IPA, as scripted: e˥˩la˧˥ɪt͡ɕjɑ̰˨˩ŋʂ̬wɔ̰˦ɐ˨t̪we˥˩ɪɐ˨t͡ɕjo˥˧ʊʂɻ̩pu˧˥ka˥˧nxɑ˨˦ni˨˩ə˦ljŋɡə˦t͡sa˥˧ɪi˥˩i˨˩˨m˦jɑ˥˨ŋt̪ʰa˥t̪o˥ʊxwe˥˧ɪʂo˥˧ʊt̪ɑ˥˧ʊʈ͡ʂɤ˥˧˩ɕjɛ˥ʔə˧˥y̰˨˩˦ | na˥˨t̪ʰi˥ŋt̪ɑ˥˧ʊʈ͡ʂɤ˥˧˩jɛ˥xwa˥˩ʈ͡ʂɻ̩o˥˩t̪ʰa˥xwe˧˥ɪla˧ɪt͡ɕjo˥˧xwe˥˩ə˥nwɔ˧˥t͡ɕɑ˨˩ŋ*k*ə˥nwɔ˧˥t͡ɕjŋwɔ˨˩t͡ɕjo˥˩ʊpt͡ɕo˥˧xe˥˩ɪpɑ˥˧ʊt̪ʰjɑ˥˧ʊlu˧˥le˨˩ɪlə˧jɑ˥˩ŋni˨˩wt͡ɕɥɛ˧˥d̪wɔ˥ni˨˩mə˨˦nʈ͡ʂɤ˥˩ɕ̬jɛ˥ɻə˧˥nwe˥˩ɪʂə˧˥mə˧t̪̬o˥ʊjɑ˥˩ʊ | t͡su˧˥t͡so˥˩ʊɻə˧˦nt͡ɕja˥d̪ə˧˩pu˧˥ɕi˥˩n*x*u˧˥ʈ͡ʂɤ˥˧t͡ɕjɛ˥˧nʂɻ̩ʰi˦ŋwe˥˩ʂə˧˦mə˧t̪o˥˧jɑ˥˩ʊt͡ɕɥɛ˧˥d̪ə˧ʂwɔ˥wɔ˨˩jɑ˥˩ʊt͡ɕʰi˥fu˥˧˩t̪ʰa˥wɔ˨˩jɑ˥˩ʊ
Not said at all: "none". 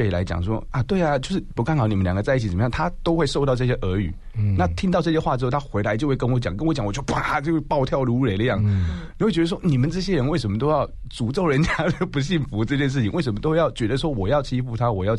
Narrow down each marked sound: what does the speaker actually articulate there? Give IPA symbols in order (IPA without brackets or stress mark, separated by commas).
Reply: k, f